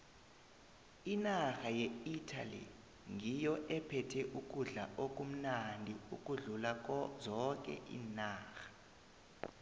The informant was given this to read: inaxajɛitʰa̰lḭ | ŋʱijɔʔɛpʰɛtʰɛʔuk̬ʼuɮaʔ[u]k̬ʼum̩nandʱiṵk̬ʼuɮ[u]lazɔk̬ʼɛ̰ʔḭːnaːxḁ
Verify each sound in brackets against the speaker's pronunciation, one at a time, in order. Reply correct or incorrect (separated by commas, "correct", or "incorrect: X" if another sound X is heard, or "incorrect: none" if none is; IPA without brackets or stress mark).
incorrect: o, correct